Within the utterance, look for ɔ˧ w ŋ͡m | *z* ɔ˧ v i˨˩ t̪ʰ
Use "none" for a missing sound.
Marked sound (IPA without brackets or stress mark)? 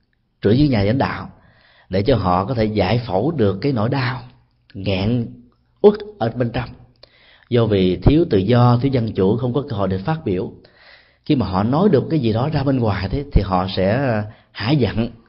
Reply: z